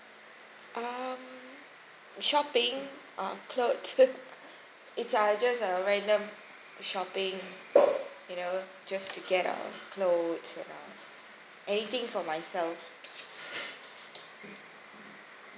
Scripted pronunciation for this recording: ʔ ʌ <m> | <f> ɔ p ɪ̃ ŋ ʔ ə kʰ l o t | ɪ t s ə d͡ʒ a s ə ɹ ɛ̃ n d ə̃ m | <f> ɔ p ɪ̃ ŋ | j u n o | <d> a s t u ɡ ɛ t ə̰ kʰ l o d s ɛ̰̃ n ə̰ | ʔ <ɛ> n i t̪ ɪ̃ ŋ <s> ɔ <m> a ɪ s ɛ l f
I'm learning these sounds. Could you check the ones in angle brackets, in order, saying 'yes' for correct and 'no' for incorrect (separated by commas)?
yes, no, no, no, yes, no, yes